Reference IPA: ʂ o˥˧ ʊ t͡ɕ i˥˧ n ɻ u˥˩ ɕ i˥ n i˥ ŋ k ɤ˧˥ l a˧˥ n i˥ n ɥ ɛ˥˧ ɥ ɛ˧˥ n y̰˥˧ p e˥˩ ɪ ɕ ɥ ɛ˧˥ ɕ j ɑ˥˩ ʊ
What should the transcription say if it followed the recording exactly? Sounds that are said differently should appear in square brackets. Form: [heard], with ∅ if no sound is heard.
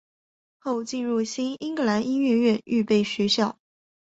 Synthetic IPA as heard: [x] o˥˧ ʊ t͡ɕ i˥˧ n ɻ u˥˩ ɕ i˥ n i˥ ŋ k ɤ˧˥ l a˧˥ n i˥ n ɥ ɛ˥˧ ɥ [ɛ˥˧] n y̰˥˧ p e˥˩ ɪ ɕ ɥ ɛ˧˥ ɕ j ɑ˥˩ ʊ